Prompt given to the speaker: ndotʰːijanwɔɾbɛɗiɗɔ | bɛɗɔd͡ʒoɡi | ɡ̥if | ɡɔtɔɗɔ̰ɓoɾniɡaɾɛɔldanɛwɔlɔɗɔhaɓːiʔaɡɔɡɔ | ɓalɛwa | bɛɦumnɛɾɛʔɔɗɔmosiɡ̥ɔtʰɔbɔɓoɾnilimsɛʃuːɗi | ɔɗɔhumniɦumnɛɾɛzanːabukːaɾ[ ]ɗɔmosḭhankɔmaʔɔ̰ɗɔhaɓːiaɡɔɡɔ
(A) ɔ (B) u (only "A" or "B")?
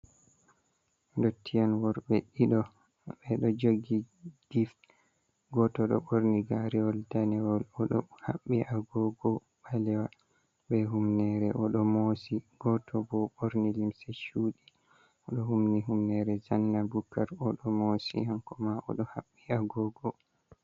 A